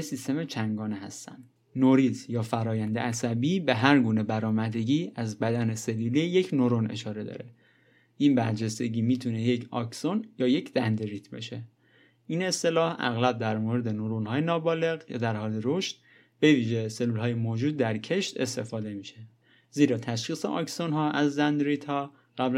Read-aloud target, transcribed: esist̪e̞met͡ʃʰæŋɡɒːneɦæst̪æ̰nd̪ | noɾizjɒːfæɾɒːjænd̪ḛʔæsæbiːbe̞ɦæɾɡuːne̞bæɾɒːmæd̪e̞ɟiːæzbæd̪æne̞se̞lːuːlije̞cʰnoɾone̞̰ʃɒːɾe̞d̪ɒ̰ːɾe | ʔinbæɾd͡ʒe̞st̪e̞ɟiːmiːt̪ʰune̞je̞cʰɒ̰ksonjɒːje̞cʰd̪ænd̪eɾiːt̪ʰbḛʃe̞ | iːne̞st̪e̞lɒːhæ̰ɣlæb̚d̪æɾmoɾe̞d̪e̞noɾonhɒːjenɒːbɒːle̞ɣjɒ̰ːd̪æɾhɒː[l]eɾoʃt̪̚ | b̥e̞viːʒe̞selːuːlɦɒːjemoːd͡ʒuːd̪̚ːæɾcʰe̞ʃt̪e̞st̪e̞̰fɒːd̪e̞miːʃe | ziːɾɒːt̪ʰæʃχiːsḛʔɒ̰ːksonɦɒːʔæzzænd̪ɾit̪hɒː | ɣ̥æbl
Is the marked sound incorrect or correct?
correct